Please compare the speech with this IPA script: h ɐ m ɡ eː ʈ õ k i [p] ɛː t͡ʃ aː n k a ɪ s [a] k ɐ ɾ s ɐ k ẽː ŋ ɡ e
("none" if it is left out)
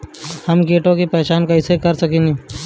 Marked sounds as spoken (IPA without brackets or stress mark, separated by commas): p, e